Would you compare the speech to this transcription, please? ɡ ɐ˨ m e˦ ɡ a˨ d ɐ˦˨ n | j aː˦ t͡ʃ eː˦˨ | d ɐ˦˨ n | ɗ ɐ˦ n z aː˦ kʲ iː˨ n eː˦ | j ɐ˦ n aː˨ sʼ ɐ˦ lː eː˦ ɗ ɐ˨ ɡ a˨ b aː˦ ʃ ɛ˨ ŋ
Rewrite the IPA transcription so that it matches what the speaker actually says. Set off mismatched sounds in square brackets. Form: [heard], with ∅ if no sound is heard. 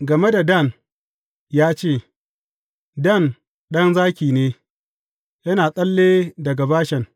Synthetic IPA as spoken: ɡ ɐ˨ m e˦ [d] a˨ d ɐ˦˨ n | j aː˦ t͡ʃ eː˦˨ | d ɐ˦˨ n | ɗ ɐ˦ n z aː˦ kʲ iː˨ n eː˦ | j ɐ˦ n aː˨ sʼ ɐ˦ lː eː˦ [d] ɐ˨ ɡ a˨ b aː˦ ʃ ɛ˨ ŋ